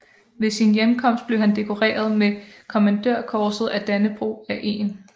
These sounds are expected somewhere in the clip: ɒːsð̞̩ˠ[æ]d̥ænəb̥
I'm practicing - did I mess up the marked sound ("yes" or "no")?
no